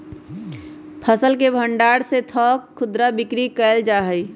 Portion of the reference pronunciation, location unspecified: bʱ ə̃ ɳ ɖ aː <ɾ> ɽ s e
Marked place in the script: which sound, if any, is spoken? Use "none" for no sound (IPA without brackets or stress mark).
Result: none